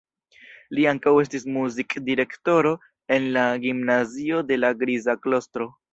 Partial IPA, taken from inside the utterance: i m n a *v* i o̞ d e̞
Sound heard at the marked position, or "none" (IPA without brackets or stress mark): z